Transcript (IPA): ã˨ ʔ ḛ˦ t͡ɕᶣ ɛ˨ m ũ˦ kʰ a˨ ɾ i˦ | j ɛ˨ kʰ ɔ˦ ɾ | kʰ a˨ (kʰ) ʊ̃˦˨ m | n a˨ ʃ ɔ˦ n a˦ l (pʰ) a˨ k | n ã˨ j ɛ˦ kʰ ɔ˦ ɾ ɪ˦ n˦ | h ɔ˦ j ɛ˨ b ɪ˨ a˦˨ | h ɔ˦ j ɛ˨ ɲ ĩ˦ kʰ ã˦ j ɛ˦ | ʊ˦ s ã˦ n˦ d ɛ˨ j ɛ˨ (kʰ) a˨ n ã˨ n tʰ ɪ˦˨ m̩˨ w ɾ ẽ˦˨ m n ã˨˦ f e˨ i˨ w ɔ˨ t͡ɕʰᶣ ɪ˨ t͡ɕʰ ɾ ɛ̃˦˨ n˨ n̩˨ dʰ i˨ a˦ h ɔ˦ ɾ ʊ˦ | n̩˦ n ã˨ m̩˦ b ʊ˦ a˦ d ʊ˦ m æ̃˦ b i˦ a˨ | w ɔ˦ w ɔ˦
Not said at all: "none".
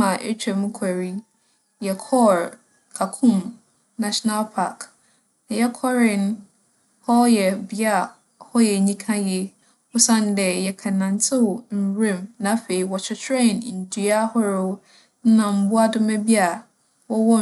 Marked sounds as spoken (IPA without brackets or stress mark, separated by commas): kʰ, pʰ, kʰ